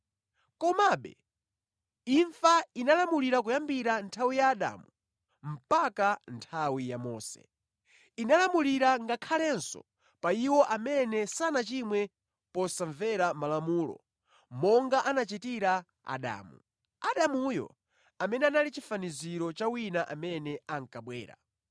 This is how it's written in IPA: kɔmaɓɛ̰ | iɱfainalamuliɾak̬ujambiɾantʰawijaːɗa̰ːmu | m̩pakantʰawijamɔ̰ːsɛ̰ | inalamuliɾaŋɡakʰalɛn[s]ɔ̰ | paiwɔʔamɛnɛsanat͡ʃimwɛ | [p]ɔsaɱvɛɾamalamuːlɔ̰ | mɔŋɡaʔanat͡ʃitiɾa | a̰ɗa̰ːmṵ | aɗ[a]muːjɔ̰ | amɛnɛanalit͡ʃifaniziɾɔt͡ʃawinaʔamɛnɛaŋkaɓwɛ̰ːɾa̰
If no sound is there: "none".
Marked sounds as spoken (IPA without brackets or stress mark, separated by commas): s, p, a